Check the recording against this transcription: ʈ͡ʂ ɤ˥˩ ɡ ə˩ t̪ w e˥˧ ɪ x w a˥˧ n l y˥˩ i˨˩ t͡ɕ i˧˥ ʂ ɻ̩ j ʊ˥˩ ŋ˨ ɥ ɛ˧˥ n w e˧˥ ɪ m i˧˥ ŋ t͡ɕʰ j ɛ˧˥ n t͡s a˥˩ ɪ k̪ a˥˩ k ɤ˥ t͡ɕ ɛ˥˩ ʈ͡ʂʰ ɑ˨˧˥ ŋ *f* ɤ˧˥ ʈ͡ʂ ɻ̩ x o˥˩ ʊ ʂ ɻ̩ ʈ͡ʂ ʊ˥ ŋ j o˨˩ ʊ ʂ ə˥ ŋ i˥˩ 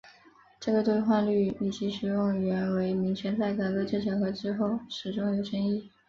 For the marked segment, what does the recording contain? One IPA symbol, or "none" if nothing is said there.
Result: x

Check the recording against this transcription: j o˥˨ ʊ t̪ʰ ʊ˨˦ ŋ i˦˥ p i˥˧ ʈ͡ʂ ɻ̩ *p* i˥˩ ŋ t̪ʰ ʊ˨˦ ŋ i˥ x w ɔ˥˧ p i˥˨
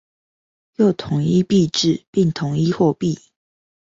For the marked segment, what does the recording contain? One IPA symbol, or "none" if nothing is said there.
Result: p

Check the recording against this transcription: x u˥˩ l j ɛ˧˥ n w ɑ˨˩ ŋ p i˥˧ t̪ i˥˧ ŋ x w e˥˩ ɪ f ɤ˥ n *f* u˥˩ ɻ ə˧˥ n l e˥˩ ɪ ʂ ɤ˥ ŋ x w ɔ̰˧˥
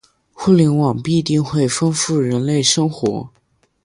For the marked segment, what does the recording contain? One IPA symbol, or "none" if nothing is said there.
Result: f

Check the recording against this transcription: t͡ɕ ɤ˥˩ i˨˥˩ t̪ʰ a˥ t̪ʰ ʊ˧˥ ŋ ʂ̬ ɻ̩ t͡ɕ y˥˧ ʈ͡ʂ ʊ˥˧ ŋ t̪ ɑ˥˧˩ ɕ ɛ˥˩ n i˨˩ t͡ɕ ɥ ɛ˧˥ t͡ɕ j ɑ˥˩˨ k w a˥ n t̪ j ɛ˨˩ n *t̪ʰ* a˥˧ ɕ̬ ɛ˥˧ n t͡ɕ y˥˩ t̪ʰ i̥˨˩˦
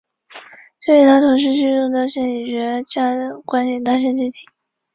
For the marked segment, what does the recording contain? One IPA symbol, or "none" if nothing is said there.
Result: t̪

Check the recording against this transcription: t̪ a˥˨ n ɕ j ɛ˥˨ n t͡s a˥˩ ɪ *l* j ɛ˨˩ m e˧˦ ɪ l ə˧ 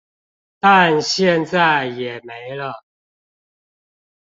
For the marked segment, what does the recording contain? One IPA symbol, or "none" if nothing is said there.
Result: none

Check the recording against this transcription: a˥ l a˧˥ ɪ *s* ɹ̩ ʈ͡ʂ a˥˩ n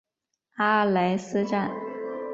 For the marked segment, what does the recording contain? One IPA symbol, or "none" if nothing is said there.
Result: s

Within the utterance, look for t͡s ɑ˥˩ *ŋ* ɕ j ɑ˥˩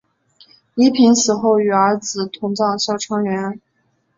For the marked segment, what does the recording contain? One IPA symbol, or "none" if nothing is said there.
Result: ŋ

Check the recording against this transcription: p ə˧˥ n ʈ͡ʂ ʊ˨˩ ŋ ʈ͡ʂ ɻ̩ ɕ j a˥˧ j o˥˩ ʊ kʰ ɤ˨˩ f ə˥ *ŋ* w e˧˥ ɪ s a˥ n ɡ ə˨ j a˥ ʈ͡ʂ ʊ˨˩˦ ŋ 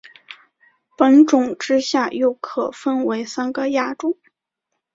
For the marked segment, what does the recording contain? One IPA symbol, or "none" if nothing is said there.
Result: n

